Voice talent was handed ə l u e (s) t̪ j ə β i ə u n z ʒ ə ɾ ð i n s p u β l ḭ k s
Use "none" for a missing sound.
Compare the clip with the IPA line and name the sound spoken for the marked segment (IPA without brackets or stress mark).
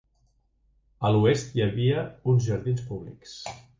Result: s